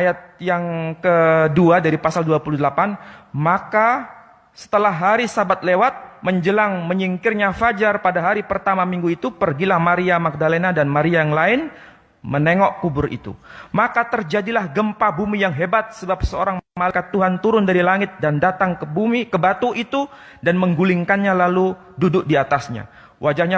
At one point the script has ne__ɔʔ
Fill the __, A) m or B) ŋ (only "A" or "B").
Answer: B